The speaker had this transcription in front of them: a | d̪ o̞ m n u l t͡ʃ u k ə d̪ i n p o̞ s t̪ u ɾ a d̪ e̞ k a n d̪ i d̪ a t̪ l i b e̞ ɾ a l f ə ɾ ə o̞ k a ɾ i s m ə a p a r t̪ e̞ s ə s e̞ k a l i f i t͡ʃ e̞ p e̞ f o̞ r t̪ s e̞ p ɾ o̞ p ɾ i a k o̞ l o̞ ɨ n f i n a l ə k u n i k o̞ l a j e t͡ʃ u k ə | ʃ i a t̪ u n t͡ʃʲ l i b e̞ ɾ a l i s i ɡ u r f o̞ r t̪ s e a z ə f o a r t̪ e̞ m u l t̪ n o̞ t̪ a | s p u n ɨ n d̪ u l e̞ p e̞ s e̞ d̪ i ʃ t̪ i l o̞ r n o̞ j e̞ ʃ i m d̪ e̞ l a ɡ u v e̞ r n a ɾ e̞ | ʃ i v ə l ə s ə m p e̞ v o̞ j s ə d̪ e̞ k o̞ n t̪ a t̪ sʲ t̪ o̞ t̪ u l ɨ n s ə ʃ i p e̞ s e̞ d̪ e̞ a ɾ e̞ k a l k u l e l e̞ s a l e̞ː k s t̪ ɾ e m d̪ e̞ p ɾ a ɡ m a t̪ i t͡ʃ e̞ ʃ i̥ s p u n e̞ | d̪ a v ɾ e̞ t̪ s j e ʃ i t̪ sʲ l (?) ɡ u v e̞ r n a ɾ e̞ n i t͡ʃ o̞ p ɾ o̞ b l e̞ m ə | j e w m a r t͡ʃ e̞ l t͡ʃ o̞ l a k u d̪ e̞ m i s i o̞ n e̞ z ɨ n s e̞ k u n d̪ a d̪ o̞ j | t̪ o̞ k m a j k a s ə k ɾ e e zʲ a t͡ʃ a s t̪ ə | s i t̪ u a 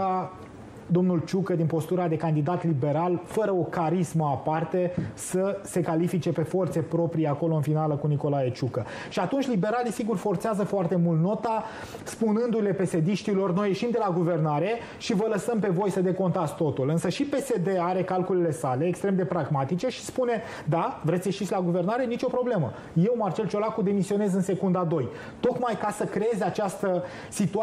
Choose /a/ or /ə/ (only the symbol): a